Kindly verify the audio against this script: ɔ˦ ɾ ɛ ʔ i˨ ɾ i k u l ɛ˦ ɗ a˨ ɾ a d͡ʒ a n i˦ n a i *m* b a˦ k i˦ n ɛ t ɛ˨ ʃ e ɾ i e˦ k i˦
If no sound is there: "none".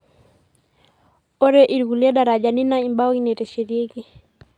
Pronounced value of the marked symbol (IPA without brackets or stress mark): m